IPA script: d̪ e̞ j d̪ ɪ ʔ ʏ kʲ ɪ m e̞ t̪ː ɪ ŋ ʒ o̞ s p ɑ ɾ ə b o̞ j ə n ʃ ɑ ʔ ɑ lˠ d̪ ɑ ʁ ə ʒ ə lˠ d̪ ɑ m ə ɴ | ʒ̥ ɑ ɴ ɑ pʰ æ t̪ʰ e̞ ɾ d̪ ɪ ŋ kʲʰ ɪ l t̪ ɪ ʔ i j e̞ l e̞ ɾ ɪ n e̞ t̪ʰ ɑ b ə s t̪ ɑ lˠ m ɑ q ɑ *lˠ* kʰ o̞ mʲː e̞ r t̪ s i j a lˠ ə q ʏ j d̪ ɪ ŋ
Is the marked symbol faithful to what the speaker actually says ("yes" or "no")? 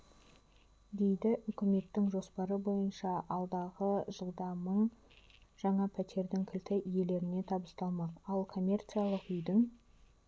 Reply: yes